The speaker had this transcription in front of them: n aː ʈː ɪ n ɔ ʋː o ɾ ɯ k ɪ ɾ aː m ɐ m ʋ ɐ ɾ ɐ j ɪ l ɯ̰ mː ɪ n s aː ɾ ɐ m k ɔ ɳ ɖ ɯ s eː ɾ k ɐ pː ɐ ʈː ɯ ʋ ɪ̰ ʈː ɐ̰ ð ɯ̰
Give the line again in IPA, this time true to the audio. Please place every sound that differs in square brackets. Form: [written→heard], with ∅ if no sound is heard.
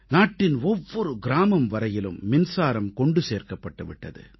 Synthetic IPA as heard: n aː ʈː ɪ n ɔ ʋː [o→ɔ] ɾ ɯ [k→ɡ] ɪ ɾ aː m ɐ m ʋ ɐ ɾ ɐ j ɪ l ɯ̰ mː ɪ n s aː ɾ ɐ m k ɔ ɳ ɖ ɯ s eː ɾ k ɐ pː ɐ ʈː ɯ ʋ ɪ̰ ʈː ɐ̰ ð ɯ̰